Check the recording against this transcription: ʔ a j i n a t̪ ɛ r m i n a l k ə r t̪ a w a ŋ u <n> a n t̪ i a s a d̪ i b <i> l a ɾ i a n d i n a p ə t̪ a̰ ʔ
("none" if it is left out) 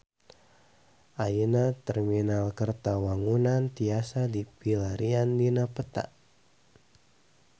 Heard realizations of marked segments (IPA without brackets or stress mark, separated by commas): n, i